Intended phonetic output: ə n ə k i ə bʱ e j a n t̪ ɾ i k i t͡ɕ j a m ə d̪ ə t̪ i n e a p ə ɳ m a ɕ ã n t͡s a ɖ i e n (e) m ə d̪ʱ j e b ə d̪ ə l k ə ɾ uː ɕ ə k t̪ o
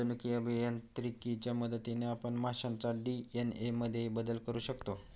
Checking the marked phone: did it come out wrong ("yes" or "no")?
no